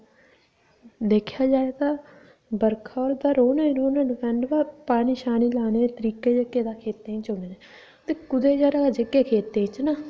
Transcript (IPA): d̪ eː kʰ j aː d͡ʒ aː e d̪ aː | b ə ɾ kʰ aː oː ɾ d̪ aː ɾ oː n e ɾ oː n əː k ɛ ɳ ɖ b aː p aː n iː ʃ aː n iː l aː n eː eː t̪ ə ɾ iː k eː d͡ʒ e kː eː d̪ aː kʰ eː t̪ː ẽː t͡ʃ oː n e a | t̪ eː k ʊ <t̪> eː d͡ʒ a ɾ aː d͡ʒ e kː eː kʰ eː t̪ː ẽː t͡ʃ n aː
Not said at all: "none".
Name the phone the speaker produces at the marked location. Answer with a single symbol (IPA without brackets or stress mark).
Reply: d̪